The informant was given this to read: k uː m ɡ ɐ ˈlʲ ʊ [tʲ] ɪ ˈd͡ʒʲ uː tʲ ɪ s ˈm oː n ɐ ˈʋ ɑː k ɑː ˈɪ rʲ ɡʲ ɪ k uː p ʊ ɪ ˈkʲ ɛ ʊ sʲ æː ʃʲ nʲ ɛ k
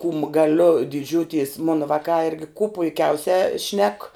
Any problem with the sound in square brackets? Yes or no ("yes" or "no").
yes